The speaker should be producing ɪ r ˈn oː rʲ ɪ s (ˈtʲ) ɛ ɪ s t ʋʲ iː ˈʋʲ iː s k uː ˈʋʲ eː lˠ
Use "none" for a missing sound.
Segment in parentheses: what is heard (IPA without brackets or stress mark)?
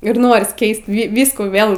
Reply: kʲ